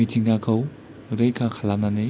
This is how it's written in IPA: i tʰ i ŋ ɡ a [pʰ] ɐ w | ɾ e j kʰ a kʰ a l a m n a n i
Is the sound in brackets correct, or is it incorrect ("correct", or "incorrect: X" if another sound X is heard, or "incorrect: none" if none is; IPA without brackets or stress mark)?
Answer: incorrect: kʰ